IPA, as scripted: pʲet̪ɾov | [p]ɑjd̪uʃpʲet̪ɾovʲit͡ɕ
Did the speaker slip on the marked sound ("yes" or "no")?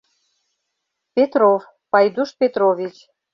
no